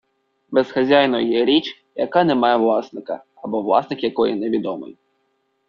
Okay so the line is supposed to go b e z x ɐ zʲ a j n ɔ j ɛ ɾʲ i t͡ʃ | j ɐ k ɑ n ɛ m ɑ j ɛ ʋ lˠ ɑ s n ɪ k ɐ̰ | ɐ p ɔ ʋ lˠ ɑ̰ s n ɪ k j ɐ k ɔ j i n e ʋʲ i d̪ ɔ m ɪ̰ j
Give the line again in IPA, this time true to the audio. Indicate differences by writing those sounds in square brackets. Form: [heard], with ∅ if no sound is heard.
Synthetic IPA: b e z x ɐ zʲ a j n ɔ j ɛ ɾʲ i t͡ʃ | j ɐ k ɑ n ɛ m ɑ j ɛ ʋ lˠ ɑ s n ɪ k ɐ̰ | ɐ [b] ɔ ʋ lˠ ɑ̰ s n ɪ k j ɐ k ɔ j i n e ʋʲ i d̪ ɔ m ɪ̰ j